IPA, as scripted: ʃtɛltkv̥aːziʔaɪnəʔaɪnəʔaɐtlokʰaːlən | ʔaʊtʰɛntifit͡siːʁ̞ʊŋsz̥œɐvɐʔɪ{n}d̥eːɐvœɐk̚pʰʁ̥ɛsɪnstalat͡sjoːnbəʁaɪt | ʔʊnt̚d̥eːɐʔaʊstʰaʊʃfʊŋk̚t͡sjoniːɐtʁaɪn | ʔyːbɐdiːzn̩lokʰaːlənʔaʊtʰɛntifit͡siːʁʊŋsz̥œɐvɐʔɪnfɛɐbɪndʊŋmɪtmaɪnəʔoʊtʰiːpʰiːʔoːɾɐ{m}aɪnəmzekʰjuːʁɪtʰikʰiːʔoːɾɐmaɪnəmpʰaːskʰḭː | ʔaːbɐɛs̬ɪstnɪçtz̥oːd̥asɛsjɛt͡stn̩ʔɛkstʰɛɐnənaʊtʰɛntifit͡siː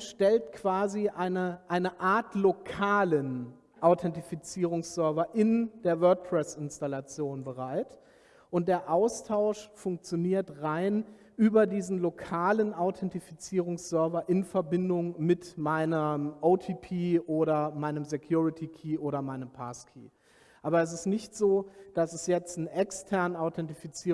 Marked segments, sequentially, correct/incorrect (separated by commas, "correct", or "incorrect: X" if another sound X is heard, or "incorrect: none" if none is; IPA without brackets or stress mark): correct, correct